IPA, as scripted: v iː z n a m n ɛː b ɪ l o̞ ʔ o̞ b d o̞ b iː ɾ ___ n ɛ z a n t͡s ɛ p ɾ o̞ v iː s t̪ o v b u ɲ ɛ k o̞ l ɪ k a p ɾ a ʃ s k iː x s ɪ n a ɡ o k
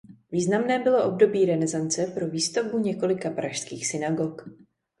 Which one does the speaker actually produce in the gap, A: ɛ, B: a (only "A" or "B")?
A